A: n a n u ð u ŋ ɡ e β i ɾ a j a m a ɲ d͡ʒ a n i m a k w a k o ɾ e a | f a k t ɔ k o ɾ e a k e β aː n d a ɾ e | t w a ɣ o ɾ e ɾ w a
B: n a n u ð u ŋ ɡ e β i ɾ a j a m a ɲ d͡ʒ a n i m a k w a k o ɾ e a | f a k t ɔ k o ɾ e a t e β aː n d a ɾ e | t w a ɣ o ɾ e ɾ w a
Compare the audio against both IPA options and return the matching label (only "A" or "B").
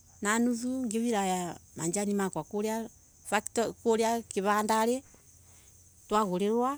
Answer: A